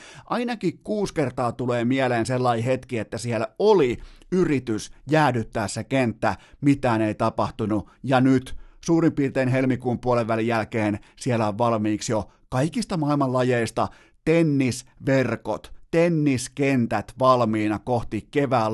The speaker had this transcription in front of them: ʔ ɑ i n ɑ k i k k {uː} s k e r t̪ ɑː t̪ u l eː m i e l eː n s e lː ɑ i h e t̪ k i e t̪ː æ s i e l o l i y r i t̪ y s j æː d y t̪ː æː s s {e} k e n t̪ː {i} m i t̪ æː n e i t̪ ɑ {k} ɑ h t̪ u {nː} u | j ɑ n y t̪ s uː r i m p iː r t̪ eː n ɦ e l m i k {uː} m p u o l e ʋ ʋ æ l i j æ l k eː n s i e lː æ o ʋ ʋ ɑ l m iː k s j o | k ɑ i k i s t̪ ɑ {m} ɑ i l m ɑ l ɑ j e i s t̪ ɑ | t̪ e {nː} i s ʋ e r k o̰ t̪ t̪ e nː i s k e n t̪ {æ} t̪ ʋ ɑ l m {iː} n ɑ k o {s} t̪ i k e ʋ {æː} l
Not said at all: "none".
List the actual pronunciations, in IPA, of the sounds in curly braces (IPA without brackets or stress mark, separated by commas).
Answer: uː, e, æ, p, n, uː, m, nː, æ, iː, h, æː